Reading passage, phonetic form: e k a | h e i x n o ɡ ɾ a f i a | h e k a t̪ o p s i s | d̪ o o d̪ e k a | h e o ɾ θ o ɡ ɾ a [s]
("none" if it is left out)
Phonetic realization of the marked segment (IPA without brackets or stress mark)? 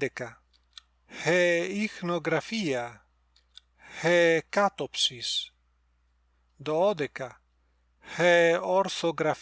f